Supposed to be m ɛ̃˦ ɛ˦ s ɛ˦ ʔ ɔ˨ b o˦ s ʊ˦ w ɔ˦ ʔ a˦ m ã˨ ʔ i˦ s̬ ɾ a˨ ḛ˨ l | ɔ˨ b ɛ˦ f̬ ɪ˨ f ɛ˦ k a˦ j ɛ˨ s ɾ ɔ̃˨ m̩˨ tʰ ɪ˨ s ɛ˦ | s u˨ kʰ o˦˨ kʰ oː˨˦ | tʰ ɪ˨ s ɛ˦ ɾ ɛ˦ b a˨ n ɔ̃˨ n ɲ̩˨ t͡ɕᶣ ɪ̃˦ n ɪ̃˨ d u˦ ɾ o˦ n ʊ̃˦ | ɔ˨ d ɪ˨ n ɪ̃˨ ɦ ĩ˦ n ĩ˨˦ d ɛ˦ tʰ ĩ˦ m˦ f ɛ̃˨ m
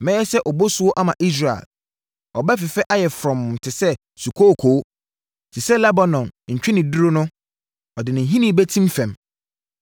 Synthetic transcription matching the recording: m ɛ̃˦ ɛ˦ s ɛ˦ ʔ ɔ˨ b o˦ s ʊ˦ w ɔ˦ ʔ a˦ m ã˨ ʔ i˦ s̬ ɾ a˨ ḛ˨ l | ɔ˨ b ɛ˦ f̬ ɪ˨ f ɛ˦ ʔ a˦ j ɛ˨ f ɾ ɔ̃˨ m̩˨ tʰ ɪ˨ s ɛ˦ | s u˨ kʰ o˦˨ kʰ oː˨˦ | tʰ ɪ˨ s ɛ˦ l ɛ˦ b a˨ n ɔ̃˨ n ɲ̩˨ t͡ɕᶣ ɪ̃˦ n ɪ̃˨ d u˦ ɾ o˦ n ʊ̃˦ | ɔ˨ d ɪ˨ n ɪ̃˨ ɦ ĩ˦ n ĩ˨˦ b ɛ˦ tʰ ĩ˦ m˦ f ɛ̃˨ m